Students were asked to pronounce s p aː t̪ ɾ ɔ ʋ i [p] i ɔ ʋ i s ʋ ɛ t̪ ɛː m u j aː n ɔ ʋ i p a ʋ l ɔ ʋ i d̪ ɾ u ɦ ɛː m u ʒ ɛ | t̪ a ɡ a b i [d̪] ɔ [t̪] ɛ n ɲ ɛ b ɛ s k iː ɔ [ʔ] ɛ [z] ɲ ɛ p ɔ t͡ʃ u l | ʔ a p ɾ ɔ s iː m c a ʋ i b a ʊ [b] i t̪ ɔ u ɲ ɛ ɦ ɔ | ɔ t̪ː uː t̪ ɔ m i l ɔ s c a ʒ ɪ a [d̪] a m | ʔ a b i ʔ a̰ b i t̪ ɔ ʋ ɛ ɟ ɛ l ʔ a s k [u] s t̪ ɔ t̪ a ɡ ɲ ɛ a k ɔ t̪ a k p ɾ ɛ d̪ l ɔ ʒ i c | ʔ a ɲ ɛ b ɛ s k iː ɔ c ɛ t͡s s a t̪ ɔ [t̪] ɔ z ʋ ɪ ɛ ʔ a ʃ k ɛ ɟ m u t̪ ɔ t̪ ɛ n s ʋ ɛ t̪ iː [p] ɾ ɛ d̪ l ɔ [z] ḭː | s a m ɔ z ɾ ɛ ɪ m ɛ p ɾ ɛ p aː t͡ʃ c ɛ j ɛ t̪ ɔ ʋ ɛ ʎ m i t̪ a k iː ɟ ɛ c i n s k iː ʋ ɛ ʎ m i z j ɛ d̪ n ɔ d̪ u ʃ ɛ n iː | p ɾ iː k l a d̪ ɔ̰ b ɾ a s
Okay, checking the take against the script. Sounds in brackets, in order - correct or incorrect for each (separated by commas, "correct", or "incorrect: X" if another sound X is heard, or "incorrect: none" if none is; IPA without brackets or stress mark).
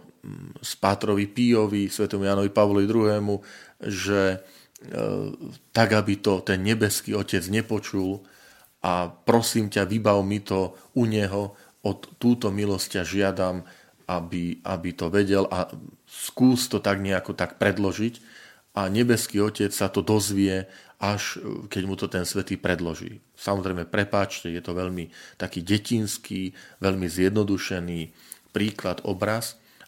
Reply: correct, incorrect: t̪, correct, incorrect: c, incorrect: d͡z, incorrect: m, correct, incorrect: uː, incorrect: d̪, correct, incorrect: ʒ